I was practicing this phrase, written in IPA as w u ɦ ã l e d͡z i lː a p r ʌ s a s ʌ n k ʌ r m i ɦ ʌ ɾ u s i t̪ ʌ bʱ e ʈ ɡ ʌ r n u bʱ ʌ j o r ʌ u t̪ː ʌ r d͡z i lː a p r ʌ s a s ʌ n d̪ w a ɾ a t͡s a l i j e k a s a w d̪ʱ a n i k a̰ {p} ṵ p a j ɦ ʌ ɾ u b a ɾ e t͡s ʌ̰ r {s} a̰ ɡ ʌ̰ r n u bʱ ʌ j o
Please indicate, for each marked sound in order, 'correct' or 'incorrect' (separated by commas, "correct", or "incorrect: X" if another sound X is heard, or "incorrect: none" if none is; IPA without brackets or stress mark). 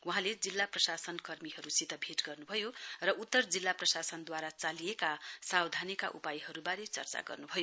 incorrect: ʔ, incorrect: t͡s